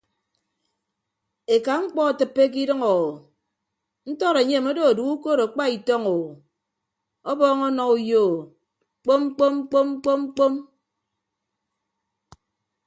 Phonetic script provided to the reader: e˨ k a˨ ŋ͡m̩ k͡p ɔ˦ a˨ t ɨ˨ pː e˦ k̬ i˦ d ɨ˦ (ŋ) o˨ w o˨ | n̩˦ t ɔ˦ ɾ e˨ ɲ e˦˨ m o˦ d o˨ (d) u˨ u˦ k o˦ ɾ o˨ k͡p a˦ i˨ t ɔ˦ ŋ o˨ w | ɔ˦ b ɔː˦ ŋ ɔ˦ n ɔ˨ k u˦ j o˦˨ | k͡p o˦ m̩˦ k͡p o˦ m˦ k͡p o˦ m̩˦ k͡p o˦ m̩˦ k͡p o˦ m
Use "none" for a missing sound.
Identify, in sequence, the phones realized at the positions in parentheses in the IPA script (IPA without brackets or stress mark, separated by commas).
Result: ŋ, d